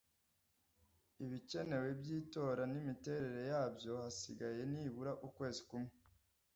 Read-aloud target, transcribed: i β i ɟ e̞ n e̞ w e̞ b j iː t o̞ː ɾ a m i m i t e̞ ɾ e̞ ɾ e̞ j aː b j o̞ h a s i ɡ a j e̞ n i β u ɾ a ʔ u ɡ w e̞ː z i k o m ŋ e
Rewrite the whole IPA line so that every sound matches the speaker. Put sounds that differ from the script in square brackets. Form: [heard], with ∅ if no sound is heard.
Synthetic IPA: i β i [c] e̞ n e̞ w e̞ b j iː t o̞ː ɾ a [n] i m i t e̞ ɾ e̞ ɾ e̞ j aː b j o̞ h a s i ɡ a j e̞ n i β u ɾ a ʔ u [k] w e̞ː z i k [u] m ŋ e